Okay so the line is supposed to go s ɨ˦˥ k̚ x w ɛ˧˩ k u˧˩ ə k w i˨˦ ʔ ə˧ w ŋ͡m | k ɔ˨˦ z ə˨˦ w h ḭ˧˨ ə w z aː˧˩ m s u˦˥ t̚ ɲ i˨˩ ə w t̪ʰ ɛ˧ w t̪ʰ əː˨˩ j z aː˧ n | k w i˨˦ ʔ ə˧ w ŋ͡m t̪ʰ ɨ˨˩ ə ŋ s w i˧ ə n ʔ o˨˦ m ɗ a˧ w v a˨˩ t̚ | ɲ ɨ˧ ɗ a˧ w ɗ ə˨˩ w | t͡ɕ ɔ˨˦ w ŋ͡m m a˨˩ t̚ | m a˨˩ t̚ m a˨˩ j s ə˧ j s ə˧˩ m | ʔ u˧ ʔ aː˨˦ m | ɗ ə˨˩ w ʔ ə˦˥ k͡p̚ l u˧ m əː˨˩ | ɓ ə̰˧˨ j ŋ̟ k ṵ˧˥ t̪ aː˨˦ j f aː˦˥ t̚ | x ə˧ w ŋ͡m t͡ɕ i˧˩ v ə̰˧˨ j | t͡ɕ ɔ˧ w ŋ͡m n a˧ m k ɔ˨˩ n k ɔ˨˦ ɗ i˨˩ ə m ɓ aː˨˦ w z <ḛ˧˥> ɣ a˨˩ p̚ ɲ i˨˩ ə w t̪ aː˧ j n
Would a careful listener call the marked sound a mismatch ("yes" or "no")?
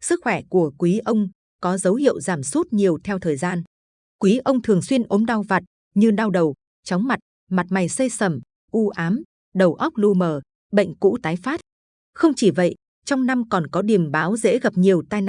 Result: no